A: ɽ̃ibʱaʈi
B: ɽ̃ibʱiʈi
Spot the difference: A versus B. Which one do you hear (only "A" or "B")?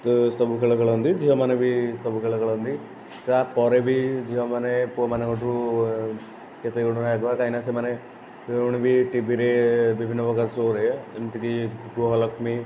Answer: B